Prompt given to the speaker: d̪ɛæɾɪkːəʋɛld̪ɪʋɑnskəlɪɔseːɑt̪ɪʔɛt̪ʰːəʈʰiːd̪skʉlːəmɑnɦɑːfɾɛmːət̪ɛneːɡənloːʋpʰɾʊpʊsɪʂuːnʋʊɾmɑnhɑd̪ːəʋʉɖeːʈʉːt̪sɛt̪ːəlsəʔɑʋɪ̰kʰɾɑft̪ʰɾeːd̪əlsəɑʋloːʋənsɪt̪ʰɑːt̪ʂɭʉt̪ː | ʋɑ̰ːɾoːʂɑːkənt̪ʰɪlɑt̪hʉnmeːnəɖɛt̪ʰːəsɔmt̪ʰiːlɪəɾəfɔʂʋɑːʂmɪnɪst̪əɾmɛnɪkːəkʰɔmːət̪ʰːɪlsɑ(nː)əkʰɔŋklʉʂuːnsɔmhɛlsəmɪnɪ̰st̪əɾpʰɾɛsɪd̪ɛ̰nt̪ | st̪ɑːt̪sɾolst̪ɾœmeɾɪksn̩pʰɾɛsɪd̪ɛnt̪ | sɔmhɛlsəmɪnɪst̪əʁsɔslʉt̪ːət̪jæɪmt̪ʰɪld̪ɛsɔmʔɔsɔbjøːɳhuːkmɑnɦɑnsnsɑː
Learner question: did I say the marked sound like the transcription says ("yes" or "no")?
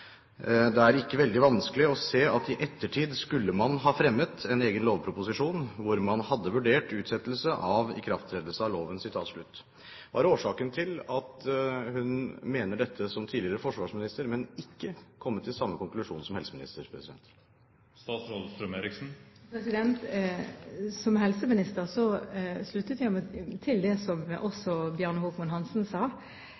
no